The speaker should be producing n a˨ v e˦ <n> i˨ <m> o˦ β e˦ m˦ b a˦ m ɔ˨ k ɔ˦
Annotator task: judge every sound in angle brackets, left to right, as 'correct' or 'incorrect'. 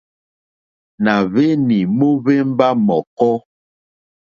correct, correct

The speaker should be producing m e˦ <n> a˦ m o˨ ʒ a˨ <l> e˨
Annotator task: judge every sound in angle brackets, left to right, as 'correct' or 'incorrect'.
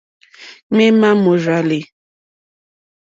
incorrect, correct

